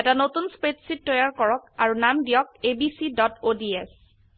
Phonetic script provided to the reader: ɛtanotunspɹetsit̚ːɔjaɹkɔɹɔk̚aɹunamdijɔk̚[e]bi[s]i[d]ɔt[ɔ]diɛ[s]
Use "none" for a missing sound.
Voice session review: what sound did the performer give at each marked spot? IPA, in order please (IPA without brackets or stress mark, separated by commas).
e, s, d, o, s